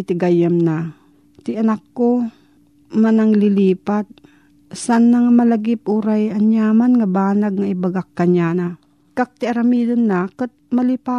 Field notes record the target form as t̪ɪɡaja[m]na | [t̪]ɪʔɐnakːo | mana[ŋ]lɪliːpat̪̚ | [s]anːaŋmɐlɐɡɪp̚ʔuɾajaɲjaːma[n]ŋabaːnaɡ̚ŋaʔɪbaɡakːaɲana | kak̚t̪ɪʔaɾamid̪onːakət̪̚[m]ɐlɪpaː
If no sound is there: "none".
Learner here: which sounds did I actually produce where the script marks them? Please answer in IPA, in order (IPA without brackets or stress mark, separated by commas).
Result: m, t̪, ŋ, s, n, m